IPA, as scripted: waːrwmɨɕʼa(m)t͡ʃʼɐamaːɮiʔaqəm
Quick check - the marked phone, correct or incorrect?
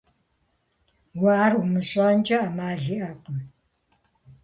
incorrect